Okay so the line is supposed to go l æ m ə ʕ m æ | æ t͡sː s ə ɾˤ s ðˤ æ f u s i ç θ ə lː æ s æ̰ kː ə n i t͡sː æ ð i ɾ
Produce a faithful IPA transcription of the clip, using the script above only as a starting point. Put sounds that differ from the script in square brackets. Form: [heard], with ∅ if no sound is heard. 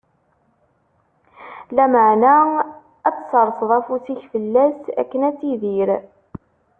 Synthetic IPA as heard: l æ m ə ʕ [n] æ | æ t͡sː s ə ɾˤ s ðˤ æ f u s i ç [f] ə lː æ s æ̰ kː ə n [æ] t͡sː [i] ð i ɾ